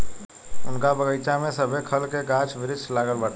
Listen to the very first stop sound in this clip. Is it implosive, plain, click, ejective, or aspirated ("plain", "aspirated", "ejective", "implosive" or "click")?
plain